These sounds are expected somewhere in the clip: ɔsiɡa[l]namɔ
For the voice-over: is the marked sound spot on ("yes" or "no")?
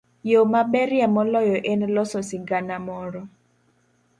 no